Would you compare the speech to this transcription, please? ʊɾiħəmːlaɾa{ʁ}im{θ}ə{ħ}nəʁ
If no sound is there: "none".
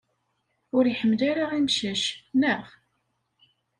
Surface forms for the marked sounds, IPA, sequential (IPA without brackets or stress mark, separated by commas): ʁ, ʃ, ʃ